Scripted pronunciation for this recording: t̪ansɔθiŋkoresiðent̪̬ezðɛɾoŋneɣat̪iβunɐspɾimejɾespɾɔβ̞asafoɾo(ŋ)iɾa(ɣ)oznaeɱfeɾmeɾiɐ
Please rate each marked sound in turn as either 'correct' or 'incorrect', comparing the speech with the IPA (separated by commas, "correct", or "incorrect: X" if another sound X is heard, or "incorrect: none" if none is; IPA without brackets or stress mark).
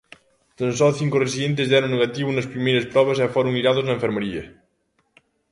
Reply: correct, incorrect: ð